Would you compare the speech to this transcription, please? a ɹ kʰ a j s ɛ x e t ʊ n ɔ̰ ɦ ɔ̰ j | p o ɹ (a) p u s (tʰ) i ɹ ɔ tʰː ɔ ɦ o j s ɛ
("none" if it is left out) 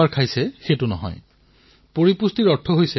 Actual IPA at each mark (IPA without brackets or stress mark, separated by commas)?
i, t